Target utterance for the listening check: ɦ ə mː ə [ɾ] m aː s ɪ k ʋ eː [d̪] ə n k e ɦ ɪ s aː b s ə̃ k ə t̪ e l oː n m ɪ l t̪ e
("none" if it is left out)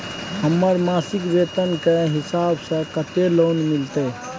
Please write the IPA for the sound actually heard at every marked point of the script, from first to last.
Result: ɾ, t̪

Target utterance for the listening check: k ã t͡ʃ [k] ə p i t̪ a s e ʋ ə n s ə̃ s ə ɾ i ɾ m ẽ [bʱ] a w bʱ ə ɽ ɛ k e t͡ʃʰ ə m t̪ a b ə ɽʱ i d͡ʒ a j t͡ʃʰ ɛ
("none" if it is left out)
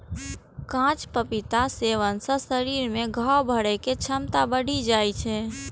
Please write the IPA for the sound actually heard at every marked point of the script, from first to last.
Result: p, ɡʱ

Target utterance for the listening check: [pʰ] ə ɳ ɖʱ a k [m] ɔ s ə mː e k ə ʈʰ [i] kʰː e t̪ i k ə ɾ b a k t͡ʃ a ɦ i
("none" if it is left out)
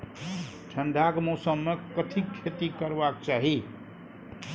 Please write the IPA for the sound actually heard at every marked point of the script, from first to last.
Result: ʈʰ, m, i

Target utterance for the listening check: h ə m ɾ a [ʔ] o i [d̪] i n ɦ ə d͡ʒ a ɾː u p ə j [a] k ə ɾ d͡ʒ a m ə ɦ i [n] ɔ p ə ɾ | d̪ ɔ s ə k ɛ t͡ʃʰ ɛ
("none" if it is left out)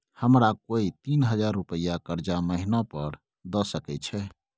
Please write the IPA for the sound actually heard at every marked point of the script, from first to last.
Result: k, t̪, a, n

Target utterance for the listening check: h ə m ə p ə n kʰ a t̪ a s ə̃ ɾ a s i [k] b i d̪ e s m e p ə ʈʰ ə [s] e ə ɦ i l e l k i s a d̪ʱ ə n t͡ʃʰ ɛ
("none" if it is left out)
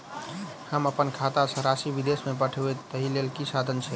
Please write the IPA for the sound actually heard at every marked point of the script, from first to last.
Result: none, none

